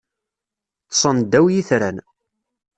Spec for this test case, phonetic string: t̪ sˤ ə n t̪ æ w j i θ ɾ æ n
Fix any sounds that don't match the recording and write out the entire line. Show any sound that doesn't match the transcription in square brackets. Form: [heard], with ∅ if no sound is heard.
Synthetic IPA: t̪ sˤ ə n [d̪] æ w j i θ ɾ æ n